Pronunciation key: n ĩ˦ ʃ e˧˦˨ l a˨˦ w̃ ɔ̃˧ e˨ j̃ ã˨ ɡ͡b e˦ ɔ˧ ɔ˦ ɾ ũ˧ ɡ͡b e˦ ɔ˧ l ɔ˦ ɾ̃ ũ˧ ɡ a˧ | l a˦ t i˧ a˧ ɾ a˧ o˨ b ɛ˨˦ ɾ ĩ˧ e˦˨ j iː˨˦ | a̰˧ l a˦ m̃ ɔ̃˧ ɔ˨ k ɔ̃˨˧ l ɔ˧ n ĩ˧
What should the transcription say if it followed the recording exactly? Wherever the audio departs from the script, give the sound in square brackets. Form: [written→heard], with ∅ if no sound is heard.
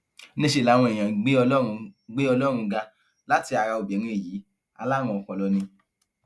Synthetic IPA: n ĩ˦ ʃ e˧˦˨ l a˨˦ w̃ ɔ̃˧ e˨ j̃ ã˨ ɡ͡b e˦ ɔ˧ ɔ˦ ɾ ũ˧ ɡ͡b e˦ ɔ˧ l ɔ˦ ɾ̃ ũ˧ ɡ a˧ | l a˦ t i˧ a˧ ɾ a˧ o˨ b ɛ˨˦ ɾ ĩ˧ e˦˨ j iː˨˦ | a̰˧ l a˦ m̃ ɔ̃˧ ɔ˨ k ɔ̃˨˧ l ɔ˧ n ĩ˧